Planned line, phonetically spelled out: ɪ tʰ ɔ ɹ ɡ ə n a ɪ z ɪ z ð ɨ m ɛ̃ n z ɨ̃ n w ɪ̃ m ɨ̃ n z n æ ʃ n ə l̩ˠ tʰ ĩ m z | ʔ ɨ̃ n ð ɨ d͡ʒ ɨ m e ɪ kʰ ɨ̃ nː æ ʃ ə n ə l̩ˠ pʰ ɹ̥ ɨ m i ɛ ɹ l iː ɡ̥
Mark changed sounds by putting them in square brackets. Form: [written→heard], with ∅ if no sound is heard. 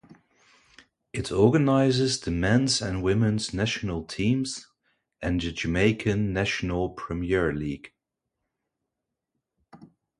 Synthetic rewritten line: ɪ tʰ ɔ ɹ ɡ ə n a ɪ z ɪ z ð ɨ m ɛ̃ n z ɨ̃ n w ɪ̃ m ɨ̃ n z n æ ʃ n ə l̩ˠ tʰ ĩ m z | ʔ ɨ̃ n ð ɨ d͡ʒ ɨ m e ɪ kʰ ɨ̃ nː æ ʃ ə n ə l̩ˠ pʰ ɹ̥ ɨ m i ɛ ɹ l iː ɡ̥